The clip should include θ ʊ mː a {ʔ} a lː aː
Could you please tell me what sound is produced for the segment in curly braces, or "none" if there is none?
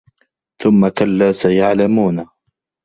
k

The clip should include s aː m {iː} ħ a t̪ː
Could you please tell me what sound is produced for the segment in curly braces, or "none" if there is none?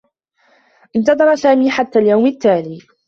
iː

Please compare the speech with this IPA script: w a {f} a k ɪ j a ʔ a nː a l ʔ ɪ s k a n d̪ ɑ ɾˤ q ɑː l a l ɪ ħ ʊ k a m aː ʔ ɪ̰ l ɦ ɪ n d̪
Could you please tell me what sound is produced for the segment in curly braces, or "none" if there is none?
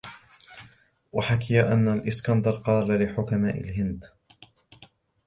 ħ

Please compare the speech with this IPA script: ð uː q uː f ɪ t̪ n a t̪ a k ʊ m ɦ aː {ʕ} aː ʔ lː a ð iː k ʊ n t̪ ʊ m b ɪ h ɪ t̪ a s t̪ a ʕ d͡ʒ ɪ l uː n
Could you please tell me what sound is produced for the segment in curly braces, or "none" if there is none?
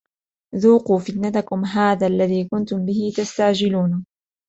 ð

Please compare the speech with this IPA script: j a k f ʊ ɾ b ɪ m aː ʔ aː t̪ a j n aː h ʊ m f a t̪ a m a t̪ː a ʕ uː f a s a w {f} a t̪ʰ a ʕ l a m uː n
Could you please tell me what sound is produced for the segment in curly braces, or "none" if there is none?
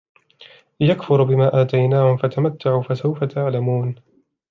f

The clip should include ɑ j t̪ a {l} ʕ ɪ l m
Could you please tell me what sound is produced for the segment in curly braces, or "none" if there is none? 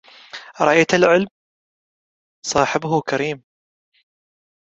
l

